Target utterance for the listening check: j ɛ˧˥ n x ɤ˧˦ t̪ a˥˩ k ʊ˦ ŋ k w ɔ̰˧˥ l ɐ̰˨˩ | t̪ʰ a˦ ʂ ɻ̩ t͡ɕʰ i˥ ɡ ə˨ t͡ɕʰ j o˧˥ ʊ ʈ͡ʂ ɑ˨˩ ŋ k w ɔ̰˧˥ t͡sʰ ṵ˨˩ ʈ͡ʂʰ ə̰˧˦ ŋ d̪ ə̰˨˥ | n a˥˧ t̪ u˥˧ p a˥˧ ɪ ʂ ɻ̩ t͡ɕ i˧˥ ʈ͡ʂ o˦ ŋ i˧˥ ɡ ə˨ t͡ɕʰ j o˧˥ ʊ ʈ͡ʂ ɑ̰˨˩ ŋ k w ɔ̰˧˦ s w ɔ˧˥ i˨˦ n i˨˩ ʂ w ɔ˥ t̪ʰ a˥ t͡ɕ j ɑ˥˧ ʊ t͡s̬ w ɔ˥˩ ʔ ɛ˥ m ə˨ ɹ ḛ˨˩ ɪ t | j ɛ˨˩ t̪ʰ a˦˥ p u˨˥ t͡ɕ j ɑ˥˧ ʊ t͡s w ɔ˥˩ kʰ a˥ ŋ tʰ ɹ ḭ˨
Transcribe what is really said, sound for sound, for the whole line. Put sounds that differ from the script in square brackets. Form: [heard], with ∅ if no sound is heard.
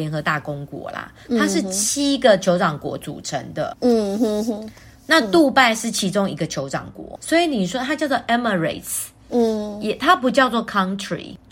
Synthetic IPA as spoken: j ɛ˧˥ n x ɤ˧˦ t̪ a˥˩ k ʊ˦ ŋ k w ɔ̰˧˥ l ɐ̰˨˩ | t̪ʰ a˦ ʂ ɻ̩ t͡ɕʰ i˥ ɡ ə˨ t͡ɕʰ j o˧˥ ʊ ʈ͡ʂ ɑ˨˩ ŋ k w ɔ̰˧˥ [t͡s] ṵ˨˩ ʈ͡ʂʰ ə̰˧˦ ŋ d̪ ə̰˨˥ | n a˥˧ t̪ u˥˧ p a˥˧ ɪ ʂ ɻ̩ [t͡ɕʰ] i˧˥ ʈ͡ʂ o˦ ŋ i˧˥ ɡ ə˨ t͡ɕʰ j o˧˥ ʊ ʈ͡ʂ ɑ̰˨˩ ŋ k w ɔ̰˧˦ s w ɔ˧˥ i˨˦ n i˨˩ ʂ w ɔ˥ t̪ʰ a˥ t͡ɕ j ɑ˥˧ ʊ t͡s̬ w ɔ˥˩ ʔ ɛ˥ m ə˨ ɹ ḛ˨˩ ɪ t | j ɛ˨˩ t̪ʰ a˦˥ p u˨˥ t͡ɕ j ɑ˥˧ ʊ t͡s w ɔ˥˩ kʰ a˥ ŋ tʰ ɹ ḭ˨